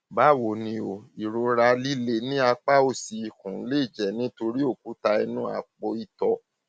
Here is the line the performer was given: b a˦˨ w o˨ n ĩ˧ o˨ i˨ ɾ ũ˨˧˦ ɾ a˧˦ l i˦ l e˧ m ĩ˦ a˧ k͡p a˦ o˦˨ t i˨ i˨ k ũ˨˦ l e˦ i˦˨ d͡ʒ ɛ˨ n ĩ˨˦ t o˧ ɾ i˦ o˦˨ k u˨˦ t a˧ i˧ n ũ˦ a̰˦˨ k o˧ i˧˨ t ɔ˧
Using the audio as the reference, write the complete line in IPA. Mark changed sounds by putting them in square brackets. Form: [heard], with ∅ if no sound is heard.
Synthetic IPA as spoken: b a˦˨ w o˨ n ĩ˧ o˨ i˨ ɾ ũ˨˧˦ ɾ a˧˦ l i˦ l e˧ [n] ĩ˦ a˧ k͡p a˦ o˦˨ [s] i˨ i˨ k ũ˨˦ l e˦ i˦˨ d͡ʒ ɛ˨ n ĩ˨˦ t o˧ ɾ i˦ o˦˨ k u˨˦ t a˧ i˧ n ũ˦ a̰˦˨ [k͡p] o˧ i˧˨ t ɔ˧